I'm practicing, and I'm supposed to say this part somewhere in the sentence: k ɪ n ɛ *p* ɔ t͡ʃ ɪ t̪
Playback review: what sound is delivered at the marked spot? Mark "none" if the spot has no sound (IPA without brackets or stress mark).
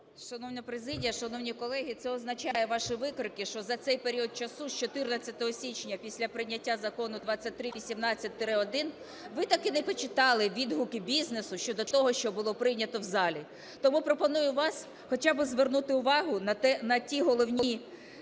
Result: p